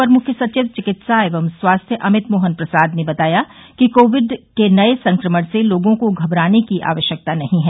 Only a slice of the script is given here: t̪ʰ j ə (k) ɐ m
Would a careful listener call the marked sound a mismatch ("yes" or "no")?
yes